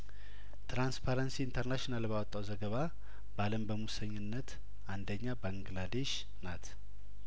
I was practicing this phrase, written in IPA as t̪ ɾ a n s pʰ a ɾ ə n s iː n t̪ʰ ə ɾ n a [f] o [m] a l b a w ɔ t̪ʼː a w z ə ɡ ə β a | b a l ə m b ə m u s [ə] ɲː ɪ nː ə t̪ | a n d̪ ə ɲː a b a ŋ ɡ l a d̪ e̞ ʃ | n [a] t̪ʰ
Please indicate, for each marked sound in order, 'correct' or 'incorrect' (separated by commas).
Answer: incorrect, incorrect, correct, correct